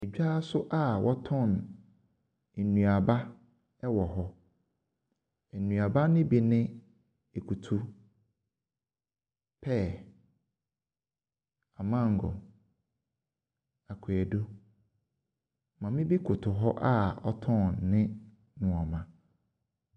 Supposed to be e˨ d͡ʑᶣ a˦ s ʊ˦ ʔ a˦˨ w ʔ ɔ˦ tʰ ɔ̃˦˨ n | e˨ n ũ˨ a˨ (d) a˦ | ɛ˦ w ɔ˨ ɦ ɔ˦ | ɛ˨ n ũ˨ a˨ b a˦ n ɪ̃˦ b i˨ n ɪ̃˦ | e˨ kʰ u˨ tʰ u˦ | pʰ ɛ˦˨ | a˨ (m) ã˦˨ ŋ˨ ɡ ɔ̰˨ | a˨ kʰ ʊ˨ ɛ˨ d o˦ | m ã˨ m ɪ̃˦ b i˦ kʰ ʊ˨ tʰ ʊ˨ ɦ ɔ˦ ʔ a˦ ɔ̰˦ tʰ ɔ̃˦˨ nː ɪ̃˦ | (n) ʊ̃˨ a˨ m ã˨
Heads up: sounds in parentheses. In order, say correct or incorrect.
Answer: incorrect: b, correct, correct

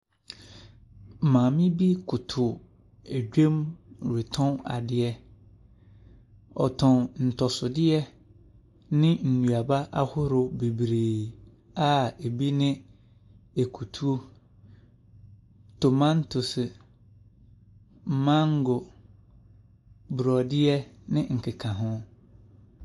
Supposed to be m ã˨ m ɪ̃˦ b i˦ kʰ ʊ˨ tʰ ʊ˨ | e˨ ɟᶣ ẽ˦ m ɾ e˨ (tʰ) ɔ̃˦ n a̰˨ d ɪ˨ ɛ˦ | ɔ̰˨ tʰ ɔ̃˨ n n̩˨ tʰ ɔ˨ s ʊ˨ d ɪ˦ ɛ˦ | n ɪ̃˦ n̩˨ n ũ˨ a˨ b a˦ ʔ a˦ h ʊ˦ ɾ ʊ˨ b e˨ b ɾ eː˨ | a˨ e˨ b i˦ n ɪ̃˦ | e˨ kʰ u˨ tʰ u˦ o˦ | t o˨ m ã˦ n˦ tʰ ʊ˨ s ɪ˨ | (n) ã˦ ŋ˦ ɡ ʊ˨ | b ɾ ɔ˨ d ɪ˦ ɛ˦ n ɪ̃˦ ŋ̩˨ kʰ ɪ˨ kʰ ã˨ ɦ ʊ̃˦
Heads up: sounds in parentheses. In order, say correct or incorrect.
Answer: correct, incorrect: m

